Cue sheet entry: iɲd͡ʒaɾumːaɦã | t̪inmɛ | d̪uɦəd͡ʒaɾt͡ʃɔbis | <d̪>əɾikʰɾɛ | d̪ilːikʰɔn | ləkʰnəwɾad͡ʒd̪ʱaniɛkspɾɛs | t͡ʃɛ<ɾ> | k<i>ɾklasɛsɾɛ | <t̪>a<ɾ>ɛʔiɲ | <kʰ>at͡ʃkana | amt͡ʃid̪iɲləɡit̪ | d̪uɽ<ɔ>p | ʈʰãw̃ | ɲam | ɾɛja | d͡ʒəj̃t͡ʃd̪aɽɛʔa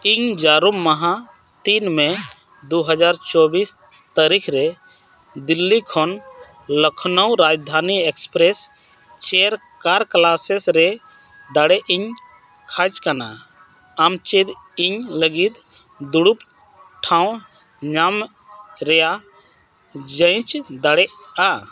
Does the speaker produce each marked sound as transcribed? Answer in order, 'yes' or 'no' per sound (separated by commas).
no, yes, no, no, no, yes, no